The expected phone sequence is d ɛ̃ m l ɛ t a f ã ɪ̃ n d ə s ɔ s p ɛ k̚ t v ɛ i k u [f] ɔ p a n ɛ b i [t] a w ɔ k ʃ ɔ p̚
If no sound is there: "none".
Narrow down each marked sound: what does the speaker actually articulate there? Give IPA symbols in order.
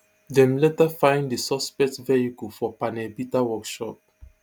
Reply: f, t

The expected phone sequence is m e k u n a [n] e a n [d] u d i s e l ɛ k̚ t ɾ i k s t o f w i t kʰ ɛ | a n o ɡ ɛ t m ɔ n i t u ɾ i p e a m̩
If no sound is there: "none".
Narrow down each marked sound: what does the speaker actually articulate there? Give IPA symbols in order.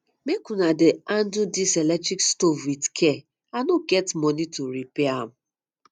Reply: d, d

